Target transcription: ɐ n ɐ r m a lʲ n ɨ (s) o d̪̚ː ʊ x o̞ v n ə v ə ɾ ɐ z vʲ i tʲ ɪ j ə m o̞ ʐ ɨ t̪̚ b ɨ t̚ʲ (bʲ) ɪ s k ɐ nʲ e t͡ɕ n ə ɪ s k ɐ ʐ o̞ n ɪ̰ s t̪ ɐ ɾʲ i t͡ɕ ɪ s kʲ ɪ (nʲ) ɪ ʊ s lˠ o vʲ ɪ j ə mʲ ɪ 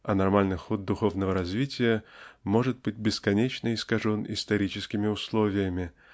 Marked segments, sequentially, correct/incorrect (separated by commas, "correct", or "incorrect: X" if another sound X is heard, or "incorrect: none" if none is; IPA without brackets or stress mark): incorrect: x, correct, incorrect: mʲ